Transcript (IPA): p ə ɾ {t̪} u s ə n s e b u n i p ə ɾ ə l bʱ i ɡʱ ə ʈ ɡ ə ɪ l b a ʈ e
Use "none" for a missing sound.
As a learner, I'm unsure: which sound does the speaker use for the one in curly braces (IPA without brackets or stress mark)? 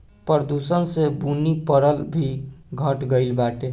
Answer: d̪